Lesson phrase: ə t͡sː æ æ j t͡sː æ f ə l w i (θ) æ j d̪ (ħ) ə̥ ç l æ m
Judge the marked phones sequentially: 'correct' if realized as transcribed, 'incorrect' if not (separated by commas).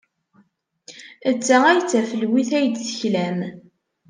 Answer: correct, incorrect